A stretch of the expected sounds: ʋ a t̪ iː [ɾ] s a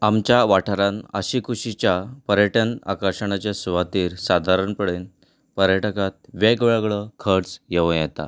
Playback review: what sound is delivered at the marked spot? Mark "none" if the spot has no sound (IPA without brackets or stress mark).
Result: ɾ